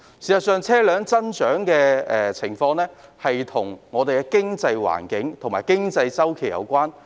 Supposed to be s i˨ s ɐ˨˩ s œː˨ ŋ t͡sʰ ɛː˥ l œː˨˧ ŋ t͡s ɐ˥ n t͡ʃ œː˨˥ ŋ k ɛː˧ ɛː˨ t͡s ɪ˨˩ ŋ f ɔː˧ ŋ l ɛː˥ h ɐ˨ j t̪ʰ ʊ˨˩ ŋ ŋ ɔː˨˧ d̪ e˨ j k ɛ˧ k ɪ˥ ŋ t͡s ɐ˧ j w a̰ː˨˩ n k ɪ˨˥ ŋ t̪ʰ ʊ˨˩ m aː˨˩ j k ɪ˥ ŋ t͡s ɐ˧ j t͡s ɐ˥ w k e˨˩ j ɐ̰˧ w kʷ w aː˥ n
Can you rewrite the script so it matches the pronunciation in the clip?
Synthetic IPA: s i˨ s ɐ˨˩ s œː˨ ŋ t͡sʰ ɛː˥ l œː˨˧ ŋ t͡s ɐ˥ n t͡ʃ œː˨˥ ŋ k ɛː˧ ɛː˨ t͡sʰ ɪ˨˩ ŋ f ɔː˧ ŋ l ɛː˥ h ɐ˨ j t̪ʰ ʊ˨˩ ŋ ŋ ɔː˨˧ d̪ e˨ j k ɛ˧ k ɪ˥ ŋ t͡s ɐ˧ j w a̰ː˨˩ n k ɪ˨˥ ŋ t̪ʰ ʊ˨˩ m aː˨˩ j k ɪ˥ ŋ t͡s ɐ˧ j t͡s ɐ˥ w kʰ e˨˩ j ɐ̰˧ w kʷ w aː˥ n